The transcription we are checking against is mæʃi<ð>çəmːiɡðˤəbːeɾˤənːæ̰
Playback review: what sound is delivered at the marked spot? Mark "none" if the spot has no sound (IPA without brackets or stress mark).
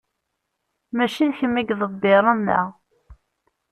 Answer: ð